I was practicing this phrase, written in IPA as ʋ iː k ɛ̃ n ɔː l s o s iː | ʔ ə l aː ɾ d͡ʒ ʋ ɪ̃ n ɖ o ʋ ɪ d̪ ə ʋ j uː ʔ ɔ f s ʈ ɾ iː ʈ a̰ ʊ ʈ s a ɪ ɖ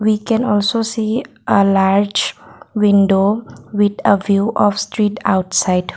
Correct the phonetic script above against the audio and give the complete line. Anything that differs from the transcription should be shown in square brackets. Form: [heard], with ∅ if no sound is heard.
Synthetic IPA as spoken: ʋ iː k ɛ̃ n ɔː l s o s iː | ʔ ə l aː ɾ d͡ʒ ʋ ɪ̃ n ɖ o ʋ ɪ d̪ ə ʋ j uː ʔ ɔ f s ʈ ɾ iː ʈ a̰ ʊ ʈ s a ɪ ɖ

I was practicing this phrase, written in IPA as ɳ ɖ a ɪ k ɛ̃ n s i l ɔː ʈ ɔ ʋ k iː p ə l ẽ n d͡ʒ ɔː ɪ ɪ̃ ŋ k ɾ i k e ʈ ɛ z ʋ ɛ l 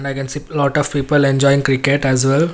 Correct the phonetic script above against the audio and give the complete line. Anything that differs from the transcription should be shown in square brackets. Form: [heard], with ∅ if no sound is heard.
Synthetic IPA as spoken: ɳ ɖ a ɪ k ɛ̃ n s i l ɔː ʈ ɔ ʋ [p] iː p ə l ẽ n d͡ʒ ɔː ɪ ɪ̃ ŋ k ɾ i k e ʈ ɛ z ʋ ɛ l

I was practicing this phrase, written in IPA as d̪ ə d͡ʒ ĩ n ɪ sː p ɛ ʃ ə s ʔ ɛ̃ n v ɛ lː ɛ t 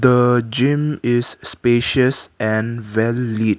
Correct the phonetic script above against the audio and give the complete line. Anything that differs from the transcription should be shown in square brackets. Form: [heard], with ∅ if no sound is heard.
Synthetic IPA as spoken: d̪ ə d͡ʒ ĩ [m] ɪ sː p [e] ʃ ə s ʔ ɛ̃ n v ɛ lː [i] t

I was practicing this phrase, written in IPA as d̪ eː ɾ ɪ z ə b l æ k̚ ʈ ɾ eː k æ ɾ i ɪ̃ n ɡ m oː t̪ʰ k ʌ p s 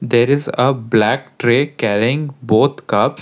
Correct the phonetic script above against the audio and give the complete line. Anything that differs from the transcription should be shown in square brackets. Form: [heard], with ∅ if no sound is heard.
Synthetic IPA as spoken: d̪ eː ɾ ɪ z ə b l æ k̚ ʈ ɾ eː k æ ɾ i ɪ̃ [ŋ] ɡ [b] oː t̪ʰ k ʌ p s

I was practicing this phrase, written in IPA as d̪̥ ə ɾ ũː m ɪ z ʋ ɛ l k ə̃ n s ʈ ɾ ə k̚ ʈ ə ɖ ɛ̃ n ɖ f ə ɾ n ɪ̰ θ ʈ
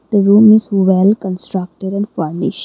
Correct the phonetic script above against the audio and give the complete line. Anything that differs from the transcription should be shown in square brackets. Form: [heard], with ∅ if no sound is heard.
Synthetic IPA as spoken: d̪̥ ə ɾ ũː m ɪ z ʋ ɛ l k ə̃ n s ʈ ɾ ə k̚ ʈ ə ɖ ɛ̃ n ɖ f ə ɾ n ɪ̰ [ʃ] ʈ

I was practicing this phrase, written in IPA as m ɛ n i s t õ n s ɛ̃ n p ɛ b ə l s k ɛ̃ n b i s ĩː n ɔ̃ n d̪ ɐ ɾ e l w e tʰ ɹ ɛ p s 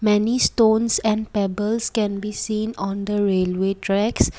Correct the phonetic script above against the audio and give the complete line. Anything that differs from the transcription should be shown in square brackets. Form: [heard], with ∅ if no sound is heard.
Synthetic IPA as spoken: m ɛ n i s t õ n s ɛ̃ n p ɛ b ə l s k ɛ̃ n b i s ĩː n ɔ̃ n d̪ [ə] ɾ e l w e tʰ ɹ ɛ [k] s

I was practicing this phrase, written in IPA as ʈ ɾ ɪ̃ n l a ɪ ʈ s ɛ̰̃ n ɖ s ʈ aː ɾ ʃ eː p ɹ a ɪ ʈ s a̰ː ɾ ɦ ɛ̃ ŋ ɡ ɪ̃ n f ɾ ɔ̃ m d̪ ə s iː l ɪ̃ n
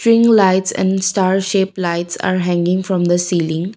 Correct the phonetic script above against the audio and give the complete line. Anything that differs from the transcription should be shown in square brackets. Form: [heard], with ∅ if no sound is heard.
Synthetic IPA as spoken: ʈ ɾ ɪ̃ [ŋ] l a ɪ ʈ s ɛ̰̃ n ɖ s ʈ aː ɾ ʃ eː p [l] a ɪ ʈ s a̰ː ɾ ɦ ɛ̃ ŋ ɡ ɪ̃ [ŋ] f ɾ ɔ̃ m d̪ ə s iː l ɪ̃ [ŋ]

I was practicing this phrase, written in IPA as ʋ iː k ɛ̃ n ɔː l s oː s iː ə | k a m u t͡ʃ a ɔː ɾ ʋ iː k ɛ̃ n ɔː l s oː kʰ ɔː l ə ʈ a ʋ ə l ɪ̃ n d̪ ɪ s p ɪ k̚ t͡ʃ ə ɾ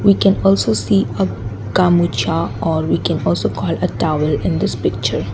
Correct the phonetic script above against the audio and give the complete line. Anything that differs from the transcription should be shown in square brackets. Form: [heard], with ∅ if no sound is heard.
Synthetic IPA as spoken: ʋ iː k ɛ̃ n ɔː l s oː s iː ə | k a m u t͡ʃ a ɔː ɾ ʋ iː k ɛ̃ n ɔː l s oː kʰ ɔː l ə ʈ a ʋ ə l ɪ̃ n d̪ ɪ s p ɪ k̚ t͡ʃ ə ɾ

